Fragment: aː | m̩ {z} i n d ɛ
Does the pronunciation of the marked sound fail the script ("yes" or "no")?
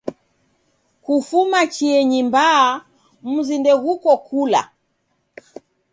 no